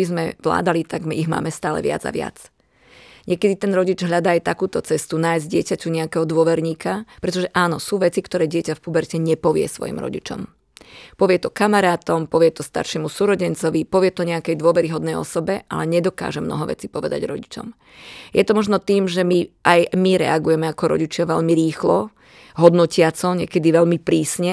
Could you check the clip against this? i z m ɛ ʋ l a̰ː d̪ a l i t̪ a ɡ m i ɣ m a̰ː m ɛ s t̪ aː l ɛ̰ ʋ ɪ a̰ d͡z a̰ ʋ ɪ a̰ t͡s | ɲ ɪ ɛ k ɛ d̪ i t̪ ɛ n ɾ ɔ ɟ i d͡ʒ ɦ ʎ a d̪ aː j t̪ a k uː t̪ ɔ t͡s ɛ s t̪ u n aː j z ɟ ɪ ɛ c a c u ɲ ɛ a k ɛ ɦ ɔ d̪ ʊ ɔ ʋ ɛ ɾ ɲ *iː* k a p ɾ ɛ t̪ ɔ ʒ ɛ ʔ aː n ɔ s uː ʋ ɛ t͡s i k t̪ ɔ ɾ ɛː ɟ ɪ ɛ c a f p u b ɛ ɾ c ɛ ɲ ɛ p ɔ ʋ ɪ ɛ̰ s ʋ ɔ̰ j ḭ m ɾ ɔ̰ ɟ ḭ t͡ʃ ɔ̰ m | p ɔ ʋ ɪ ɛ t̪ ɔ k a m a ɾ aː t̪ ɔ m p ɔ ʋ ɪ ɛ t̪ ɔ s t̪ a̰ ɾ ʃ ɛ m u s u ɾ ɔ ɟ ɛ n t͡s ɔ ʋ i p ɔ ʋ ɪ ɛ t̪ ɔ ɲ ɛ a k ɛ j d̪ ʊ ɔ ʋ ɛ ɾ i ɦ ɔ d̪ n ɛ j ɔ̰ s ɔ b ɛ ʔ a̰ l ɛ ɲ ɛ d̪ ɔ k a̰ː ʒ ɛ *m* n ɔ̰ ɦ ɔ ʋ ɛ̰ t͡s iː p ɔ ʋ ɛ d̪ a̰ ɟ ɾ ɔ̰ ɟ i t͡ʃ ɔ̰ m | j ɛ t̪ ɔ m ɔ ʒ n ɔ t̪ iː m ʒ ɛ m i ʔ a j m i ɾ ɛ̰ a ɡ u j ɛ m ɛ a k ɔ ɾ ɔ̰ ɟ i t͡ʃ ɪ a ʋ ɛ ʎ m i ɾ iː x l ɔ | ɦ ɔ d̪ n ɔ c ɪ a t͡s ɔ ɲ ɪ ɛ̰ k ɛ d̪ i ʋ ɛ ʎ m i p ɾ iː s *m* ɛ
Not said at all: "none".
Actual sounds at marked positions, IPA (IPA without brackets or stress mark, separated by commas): iː, m, ɲ